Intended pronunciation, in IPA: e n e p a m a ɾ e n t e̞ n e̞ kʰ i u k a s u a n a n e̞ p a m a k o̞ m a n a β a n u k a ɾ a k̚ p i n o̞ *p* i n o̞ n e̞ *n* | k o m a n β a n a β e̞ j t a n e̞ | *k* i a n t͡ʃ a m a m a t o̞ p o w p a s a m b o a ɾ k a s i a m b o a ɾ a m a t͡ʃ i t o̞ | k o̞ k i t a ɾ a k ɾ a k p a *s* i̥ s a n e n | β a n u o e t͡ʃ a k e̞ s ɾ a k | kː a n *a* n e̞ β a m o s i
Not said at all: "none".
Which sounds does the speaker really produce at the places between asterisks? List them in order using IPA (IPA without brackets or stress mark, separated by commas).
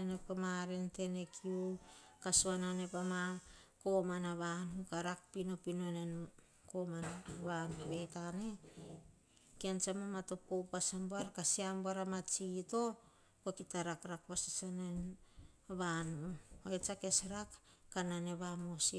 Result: p, n, k, s, a